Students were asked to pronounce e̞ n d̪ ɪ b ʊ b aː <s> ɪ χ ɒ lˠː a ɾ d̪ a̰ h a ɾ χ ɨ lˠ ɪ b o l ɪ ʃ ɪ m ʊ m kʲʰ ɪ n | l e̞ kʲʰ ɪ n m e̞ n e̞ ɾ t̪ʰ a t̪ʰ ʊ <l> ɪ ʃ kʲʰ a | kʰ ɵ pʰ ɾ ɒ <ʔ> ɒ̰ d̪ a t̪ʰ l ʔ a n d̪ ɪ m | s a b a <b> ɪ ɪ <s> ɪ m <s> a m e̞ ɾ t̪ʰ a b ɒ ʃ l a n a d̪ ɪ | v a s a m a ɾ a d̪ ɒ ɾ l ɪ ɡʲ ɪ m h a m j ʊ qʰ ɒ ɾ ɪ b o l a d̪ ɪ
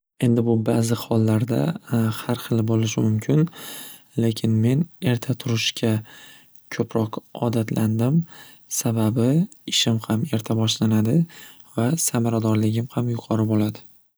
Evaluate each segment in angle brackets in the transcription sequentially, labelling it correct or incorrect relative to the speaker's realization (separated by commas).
incorrect, incorrect, incorrect, correct, incorrect, incorrect